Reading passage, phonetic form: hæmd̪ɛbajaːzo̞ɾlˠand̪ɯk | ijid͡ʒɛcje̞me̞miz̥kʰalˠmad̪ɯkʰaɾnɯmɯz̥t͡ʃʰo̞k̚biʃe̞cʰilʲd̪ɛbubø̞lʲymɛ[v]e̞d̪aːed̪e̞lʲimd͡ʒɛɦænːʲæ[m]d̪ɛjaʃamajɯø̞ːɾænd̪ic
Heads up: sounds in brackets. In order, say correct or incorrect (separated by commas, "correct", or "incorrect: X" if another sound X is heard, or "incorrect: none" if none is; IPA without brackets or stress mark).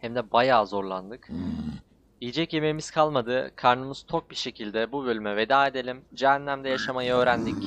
correct, correct